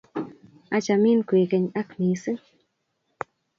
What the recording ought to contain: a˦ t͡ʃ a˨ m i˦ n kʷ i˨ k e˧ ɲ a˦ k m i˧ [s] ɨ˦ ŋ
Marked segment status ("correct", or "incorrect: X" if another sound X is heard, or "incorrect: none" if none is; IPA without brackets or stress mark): correct